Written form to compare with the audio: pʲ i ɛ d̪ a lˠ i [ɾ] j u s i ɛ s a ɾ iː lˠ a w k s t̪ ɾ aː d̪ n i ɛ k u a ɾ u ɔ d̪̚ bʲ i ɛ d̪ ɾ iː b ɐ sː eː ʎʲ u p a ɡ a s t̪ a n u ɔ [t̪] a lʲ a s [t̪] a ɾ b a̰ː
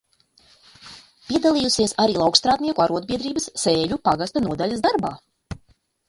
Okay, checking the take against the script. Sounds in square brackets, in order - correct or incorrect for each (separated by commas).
incorrect, incorrect, incorrect